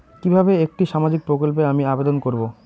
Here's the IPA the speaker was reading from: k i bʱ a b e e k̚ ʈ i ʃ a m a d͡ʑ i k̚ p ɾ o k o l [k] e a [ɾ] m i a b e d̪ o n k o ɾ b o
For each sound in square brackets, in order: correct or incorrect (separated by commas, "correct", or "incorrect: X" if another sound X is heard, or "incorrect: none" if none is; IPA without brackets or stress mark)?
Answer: incorrect: p, incorrect: none